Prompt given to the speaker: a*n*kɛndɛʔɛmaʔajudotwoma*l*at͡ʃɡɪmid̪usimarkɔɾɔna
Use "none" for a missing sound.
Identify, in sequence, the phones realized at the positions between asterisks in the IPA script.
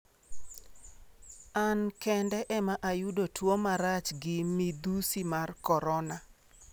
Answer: n, ɾ

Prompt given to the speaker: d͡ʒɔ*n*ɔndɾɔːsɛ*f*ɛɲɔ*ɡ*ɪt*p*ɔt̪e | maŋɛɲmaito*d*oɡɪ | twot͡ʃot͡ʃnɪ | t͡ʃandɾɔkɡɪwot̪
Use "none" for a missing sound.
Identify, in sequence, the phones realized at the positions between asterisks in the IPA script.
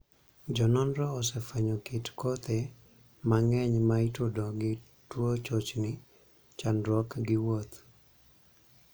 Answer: n, f, k, k, d

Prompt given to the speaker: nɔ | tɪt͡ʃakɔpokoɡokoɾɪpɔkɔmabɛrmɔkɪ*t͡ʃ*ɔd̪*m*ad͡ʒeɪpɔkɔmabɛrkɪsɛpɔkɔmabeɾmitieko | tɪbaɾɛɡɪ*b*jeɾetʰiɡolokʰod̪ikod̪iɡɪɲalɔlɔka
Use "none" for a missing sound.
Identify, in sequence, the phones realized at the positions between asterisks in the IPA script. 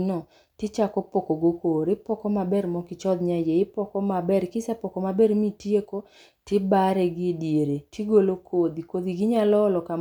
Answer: t͡ʃ, ɲ, d

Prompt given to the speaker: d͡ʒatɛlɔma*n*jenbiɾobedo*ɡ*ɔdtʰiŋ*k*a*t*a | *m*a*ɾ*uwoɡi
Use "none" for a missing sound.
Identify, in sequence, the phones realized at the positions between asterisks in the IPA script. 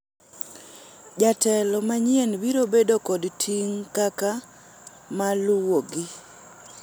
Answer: ɲ, k, k, k, m, l

